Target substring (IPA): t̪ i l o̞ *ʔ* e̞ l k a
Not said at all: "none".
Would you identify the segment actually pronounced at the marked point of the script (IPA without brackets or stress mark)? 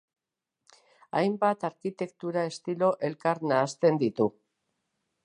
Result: ʔ